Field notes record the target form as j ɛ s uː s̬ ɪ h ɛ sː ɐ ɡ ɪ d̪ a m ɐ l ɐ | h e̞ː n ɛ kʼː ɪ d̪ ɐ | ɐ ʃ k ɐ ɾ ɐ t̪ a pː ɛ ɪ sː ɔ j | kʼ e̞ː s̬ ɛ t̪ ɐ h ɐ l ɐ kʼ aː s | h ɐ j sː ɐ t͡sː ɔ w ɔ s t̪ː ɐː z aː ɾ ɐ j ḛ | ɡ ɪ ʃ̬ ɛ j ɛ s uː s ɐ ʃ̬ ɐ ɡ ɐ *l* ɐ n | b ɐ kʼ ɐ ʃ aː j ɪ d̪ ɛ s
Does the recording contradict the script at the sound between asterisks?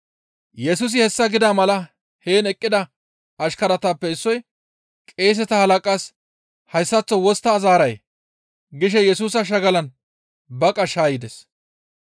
no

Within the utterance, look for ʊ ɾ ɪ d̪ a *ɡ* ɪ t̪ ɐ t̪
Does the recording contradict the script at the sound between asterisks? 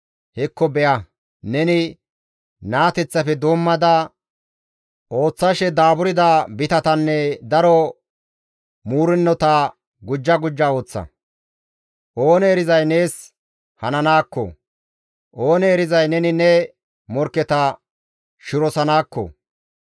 yes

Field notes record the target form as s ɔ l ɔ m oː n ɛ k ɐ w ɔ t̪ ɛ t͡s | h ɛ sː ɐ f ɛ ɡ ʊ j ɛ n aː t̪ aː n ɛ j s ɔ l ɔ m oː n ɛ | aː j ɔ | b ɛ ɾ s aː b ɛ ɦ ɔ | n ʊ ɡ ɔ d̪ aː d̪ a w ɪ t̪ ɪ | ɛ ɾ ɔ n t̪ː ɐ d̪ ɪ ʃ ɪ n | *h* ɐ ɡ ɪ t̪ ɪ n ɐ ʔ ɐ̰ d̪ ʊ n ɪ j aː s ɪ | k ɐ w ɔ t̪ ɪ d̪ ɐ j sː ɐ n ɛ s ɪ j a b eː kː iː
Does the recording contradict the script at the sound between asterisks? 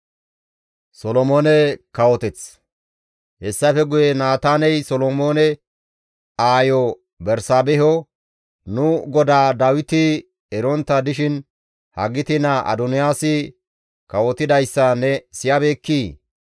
no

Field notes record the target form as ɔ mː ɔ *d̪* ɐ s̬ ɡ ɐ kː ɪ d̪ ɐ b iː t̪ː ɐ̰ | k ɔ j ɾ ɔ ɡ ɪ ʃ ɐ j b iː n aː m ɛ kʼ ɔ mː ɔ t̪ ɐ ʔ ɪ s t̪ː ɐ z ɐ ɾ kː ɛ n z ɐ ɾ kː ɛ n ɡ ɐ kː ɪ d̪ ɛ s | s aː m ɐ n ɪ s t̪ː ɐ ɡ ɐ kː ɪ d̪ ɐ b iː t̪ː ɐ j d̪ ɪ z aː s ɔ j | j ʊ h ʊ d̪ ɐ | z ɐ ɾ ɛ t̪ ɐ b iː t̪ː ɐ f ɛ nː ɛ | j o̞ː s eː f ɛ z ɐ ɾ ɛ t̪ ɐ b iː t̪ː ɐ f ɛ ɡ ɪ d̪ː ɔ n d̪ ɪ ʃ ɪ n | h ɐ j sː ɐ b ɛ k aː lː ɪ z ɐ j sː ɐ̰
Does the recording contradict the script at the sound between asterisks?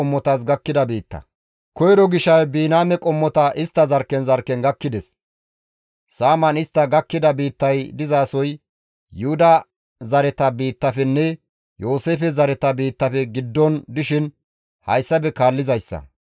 yes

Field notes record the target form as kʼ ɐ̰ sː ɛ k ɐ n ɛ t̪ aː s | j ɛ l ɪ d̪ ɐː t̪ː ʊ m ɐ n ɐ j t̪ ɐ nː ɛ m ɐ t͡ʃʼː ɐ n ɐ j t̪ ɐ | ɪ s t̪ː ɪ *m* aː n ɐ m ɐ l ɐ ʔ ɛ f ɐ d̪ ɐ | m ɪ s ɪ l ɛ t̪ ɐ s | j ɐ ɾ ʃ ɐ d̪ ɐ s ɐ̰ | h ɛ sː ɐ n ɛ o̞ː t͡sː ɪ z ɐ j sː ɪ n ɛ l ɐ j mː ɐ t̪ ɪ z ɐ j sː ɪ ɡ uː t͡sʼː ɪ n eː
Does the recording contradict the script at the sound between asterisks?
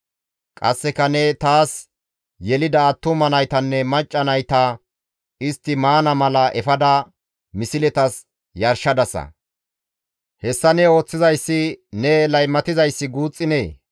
no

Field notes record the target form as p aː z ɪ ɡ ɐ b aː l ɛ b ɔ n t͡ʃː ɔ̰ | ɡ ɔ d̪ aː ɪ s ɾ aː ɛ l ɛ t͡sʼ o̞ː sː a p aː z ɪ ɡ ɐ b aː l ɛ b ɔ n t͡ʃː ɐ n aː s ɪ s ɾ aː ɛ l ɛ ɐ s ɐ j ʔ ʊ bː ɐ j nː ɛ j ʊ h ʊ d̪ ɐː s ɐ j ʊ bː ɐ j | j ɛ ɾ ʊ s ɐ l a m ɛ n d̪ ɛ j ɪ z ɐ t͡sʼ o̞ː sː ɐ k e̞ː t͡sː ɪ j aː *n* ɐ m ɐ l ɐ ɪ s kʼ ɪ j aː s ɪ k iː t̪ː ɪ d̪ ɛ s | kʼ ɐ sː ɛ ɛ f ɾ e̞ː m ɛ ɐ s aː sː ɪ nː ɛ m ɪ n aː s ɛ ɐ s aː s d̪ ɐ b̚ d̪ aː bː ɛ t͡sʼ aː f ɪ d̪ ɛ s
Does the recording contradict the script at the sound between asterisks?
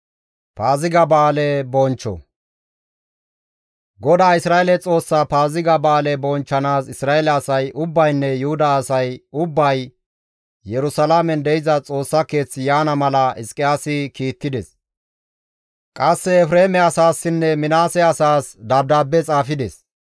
no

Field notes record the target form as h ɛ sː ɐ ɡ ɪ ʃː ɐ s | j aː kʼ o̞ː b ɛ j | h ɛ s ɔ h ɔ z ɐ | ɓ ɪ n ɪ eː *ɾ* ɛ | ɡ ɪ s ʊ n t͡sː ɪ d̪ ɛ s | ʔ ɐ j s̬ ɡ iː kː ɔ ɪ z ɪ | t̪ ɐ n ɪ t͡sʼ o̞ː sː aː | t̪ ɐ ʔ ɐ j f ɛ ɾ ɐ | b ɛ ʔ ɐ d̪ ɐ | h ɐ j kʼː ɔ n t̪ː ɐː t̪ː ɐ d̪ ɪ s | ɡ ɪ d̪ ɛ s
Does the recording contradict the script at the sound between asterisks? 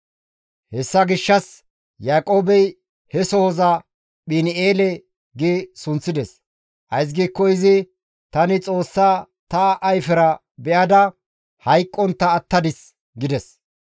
yes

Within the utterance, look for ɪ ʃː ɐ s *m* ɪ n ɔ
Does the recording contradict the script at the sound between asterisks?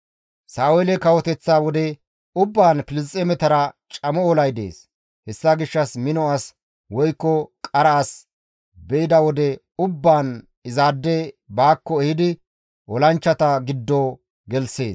no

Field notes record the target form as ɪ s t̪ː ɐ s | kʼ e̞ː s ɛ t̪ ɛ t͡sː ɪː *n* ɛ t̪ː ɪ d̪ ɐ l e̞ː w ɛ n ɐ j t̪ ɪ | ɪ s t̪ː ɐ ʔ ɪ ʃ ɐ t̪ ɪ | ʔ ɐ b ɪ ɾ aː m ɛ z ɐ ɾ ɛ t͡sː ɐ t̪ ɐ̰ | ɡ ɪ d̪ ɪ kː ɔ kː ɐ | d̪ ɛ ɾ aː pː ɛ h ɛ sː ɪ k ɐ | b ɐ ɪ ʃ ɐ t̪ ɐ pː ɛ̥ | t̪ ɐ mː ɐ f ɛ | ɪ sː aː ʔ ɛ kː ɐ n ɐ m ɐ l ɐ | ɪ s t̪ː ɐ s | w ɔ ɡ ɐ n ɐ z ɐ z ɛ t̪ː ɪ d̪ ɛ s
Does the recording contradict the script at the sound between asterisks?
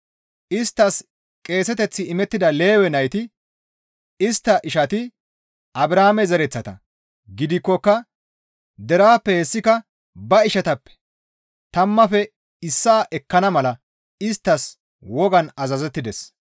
yes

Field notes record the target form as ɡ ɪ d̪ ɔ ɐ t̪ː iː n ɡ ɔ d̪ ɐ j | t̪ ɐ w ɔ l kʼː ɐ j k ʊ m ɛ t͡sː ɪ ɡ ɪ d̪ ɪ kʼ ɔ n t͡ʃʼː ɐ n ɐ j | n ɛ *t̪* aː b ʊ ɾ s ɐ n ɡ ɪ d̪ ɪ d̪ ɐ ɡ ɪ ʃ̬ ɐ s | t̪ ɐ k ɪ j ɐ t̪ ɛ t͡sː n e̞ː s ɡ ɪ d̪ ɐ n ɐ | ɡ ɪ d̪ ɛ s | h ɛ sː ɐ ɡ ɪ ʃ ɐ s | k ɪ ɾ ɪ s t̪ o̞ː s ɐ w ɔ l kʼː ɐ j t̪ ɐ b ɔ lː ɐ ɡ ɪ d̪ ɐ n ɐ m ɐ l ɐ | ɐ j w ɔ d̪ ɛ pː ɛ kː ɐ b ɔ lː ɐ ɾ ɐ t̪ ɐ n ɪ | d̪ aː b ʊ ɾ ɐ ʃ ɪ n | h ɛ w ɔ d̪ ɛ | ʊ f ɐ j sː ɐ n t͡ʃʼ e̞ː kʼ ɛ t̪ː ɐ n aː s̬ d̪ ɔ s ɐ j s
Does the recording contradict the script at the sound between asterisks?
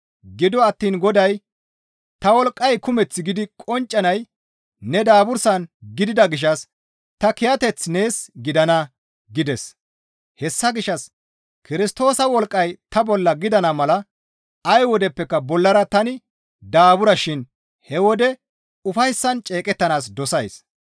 yes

